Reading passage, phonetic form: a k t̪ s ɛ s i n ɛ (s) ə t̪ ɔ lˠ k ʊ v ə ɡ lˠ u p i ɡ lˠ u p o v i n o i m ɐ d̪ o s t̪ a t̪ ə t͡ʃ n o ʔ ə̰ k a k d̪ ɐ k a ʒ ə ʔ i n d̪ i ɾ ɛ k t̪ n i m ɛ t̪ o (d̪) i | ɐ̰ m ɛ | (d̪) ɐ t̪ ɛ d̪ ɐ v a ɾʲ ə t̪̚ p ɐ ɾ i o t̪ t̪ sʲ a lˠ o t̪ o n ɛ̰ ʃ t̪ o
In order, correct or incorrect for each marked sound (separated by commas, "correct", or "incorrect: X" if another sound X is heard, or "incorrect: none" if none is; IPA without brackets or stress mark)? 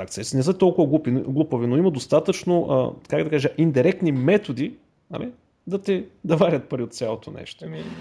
correct, correct, correct